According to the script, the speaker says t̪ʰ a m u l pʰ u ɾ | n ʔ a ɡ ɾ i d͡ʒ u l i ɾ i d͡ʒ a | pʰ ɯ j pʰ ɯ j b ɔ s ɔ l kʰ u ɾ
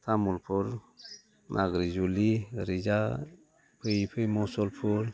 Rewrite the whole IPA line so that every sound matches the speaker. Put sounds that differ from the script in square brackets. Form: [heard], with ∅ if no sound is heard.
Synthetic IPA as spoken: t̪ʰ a m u l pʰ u ɾ | n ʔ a ɡ ɾ i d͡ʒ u l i ɾ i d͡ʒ a | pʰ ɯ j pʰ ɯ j [m] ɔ s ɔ l [pʰ] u ɾ

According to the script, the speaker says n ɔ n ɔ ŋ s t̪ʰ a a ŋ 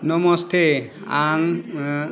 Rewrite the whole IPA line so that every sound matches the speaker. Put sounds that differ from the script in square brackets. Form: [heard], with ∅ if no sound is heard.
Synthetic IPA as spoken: n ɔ [m] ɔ [∅] s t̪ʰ [e] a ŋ

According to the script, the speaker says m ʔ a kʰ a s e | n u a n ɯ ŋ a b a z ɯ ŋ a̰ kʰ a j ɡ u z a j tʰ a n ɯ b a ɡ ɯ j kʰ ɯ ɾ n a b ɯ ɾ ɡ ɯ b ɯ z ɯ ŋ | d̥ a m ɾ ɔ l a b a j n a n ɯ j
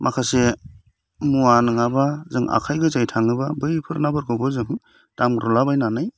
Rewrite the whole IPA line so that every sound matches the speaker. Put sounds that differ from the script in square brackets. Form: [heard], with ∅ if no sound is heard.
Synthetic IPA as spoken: m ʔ a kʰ a s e | [m] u a n ɯ ŋ a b a z ɯ ŋ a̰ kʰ a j ɡ [ɯ] z a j tʰ a [ŋ] ɯ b a [b] ɯ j [pʰ] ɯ ɾ n a b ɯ ɾ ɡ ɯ b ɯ z ɯ ŋ | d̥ a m ɾ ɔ l a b a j n a n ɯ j

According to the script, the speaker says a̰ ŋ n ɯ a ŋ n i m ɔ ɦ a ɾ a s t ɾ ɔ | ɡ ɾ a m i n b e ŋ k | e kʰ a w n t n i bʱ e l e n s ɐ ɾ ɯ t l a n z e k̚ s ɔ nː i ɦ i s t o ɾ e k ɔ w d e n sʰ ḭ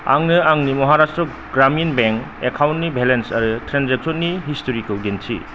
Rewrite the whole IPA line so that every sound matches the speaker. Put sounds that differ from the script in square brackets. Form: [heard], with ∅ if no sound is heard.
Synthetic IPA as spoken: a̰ ŋ n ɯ a ŋ n i m ɔ ɦ a ɾ a s t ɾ ɔ | ɡ ɾ a m i n b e ŋ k | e kʰ a w n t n i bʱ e l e n s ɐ ɾ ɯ t [ɾ] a n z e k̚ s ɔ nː i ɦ i s t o ɾ [i] k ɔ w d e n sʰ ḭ

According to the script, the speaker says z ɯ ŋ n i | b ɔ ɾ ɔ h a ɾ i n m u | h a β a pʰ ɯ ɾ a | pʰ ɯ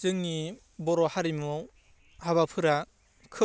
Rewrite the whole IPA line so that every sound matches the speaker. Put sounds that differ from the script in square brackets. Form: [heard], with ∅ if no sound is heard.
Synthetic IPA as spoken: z ɯ ŋ n i | b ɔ ɾ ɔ h a ɾ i [∅] m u | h a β a pʰ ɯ ɾ a | [kʰ] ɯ

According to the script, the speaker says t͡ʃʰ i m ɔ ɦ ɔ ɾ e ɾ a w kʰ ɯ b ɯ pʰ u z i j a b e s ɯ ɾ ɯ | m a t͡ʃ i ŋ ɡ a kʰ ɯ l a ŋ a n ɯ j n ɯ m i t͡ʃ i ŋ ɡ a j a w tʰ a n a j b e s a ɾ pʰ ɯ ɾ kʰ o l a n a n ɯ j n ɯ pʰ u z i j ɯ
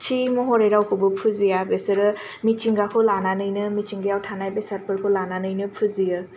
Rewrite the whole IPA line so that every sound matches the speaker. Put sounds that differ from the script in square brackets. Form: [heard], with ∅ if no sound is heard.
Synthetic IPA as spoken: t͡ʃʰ i m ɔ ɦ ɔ ɾ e ɾ a w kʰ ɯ b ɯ pʰ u z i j a b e s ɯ ɾ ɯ | m [i] t͡ʃ i ŋ ɡ a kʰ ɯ l a [n] a n ɯ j n ɯ m i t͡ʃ i ŋ ɡ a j a w tʰ a n a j b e s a ɾ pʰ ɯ ɾ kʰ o l a n a n ɯ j n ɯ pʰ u z i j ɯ

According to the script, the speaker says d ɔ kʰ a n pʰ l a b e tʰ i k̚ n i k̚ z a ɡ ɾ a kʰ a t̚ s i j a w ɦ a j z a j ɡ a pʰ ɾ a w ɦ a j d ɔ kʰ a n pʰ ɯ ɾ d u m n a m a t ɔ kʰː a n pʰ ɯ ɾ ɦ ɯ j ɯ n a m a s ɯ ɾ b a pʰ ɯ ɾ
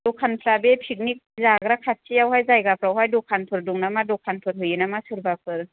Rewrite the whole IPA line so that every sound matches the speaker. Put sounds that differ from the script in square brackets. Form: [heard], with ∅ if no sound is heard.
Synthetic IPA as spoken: d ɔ kʰ a n pʰ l a b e [pʰ] i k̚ n i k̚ z a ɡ ɾ a kʰ a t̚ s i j a w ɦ a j z a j ɡ a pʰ ɾ a w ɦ a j d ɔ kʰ a n pʰ ɯ ɾ d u [ŋ] n a m a [d] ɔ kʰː a n pʰ ɯ ɾ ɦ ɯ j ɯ n a m a s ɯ ɾ b a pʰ ɯ ɾ

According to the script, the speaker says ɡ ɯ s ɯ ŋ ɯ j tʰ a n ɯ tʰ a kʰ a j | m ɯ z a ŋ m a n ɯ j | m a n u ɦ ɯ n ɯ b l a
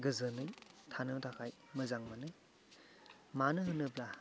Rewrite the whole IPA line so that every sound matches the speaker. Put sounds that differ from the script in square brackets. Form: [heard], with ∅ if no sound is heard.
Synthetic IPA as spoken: ɡ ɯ [z] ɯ [n] ɯ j tʰ a n ɯ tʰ a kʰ a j | m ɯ z a ŋ m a n ɯ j | m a n [ɯ] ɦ ɯ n ɯ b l a

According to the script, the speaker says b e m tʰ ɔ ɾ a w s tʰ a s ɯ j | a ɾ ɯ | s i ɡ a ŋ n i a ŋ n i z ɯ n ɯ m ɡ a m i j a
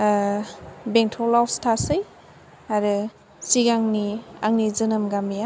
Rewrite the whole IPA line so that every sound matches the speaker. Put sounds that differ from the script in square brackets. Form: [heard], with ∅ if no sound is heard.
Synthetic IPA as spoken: b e [ŋ] tʰ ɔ [l] a w s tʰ a s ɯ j | a ɾ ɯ | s i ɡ a ŋ n i a ŋ n i z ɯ n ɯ m ɡ a m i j a

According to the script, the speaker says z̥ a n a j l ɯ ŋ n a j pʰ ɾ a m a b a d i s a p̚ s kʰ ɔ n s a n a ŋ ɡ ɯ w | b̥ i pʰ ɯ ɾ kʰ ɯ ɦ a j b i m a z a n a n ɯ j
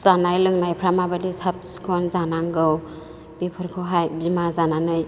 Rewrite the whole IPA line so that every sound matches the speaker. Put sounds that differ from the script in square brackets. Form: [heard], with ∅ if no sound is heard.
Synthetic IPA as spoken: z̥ a n a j l ɯ ŋ n a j pʰ ɾ a m a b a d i s a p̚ s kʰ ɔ n [z] a n a ŋ ɡ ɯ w | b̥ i pʰ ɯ ɾ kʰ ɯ ɦ a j b i m a z a n a n ɯ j

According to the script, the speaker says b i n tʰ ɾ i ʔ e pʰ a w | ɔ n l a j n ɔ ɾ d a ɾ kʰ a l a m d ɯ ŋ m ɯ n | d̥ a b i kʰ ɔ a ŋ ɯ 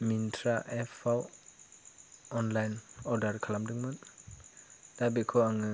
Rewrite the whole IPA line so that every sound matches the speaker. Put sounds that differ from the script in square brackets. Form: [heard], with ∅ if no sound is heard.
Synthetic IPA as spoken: [m] i n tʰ ɾ [a] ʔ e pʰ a w | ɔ n l a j n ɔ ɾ d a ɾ kʰ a l a m d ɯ ŋ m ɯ n | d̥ a b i kʰ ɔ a ŋ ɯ

